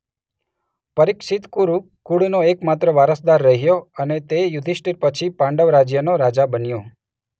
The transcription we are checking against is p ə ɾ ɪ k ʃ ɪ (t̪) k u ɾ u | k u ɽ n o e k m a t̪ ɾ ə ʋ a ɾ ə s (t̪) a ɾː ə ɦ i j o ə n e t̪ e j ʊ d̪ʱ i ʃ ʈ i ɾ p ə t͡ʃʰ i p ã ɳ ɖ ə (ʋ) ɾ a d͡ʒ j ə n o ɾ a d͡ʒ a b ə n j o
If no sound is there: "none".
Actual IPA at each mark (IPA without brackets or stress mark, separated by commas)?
t̪, d̪, ʋ